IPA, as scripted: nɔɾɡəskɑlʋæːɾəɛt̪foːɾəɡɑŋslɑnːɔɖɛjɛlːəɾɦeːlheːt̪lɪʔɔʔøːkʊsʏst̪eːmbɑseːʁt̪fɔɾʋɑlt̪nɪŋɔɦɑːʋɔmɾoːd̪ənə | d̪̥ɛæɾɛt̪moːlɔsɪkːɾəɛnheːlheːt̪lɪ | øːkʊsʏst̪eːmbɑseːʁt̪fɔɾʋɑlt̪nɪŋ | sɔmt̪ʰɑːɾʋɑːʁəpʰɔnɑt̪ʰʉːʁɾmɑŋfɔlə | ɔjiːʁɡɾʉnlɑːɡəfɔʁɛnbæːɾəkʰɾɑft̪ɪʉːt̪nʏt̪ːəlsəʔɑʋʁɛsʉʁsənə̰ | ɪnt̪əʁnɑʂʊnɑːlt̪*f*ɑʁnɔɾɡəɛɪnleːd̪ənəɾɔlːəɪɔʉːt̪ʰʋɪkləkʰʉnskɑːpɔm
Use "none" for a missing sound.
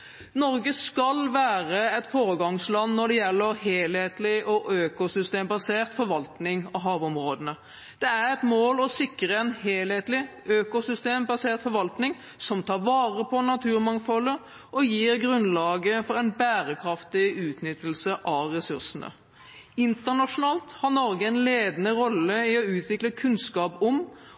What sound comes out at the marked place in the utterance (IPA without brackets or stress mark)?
h